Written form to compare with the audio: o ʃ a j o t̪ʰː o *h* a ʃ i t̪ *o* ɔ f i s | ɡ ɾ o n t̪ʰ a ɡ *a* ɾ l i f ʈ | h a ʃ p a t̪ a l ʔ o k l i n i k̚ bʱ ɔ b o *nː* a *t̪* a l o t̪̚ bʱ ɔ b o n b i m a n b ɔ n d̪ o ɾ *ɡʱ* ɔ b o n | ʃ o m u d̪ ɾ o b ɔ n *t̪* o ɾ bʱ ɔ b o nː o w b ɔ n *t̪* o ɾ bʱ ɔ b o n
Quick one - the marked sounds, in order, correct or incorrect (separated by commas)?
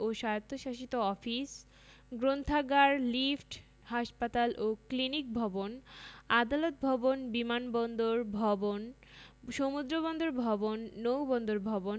incorrect, correct, correct, incorrect, incorrect, incorrect, incorrect, incorrect